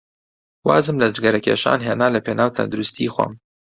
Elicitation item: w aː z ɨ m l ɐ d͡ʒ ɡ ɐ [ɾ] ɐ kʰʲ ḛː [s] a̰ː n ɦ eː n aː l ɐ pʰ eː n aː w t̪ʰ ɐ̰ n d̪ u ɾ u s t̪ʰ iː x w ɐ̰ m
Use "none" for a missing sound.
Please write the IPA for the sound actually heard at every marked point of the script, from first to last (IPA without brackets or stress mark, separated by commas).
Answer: ɾ, ʃ